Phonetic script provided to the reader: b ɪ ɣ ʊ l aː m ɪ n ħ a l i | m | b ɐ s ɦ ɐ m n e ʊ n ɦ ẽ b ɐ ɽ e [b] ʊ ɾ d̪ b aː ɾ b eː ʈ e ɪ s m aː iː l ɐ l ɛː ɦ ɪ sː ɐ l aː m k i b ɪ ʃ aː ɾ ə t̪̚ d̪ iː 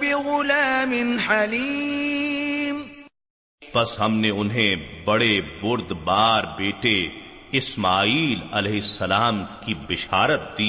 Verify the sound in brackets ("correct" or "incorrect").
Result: correct